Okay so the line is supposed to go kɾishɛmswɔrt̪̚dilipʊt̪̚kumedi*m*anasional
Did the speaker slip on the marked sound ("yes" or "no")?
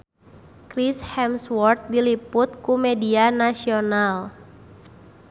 yes